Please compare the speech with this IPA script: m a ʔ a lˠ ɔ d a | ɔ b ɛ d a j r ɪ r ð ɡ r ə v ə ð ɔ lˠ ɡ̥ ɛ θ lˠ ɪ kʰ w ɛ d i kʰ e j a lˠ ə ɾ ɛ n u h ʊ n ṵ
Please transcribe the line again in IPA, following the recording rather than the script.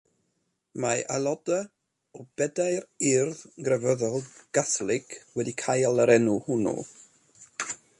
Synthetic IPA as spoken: m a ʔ a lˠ ɔ d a | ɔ b ɛ d a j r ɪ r ð ɡ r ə v ə ð ɔ lˠ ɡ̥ a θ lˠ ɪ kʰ w ɛ d i kʰ a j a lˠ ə ɾ ɛ n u h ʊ n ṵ

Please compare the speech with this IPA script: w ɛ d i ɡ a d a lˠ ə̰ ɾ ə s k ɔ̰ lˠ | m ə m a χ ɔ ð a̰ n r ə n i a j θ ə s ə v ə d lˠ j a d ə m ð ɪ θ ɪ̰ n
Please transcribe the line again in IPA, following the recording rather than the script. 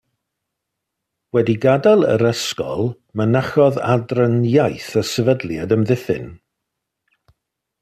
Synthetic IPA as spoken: w ɛ d i ɡ a d a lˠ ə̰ ɾ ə s k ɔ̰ lˠ | m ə n a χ ɔ ð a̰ d r ə n j a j θ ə s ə v ə d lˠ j a d ə m ð ɪ θ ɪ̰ n

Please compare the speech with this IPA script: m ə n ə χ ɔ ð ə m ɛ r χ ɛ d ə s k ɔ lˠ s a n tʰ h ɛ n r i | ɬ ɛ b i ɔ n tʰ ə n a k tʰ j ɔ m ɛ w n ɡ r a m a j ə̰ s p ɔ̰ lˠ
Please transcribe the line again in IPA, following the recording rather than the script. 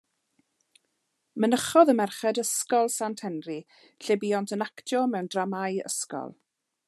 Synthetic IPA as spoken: m ə n ə χ ɔ ð ə m ɛ r χ ɛ d ə s k ɔ lˠ s a n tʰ h ɛ n r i | ɬ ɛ b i ɔ n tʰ ə n a k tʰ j ɔ m ɛ w n d r a m a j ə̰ s k ɔ̰ lˠ

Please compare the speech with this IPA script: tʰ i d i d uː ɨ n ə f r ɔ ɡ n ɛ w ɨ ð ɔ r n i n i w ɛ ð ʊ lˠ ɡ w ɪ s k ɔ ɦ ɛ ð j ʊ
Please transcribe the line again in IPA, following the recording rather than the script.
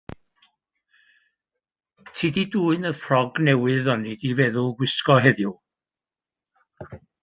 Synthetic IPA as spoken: tʰ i d i d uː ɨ n ə f r ɔ ɡ n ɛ w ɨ ð ɔ n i d i v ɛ ð ʊ lˠ ɡ w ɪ s k ɔ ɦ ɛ ð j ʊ

